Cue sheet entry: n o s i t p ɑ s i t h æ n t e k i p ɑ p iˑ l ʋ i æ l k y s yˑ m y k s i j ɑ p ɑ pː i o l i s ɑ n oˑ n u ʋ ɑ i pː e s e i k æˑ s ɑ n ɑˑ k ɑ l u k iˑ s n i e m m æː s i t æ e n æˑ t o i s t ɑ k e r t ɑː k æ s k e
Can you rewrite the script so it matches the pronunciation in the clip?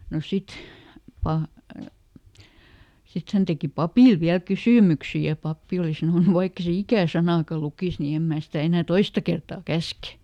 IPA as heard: n o s i t p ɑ s i t h æ n t e k i p ɑ p iˑ l ʋ i æ l k y s yˑ m y k s i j ɑ p ɑ pː i o l i s ɑ n oˑ n u ʋ ɑ i kː e s e i k æˑ s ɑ n ɑˑ k ɑ l u k iˑ s n i e m m æː s i t æ e n æˑ t o i s t ɑ k e r t ɑː k æ s k e